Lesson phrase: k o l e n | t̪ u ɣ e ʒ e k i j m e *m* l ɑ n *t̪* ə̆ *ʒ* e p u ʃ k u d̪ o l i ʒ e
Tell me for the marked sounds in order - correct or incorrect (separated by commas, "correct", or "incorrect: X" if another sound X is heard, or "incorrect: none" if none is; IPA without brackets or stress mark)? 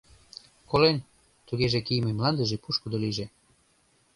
correct, incorrect: d̪, correct